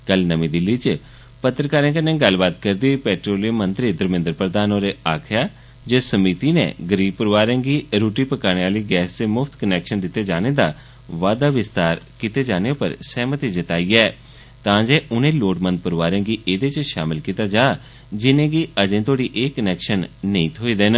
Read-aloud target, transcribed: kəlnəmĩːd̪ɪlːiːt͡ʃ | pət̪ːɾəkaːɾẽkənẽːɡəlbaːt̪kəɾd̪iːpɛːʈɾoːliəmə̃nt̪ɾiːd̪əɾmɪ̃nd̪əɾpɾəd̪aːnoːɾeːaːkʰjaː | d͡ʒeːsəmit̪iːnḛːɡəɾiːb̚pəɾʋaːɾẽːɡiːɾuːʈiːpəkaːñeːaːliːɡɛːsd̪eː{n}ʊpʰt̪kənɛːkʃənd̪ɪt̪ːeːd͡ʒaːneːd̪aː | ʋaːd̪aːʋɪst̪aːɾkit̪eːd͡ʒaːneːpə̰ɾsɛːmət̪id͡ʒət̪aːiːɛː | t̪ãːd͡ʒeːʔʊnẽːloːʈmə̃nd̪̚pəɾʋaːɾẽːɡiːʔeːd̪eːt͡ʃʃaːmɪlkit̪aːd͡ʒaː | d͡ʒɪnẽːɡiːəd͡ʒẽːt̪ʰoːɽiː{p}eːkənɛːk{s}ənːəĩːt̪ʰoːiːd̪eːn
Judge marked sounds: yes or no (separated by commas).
no, no, no